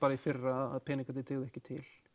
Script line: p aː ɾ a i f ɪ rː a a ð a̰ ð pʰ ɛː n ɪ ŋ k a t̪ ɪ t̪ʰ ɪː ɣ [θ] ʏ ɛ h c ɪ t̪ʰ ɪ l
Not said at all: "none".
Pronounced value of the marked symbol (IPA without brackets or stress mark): ð